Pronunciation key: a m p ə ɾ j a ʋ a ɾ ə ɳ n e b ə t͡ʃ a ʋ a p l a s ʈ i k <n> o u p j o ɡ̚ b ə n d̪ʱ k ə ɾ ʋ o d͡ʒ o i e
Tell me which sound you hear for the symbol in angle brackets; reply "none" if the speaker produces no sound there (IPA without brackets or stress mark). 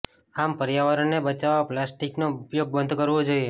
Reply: n